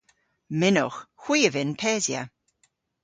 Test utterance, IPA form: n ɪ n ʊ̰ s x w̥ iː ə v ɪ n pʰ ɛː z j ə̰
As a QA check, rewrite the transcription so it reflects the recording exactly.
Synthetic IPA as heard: m ɪ n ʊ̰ x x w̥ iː ə v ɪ n pʰ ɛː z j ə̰